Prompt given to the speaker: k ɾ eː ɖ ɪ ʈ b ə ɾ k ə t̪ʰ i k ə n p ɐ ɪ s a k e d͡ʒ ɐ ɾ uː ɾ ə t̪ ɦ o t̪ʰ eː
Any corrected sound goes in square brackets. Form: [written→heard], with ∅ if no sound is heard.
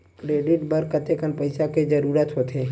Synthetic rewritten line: k ɾ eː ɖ ɪ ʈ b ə ɾ k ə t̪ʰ [i→e] k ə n p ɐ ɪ s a k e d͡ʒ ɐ ɾ uː ɾ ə t̪ ɦ o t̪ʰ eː